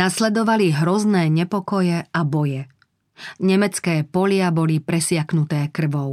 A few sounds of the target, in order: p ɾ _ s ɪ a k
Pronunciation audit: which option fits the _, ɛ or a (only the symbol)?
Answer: ɛ